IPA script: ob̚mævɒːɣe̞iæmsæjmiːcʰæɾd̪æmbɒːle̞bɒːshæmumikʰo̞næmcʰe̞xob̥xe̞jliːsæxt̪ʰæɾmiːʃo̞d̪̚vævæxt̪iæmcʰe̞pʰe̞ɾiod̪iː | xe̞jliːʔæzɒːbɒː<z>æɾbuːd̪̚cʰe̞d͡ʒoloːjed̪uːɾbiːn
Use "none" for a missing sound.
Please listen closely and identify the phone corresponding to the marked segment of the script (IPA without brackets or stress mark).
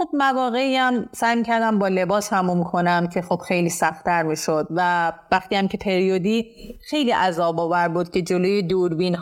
v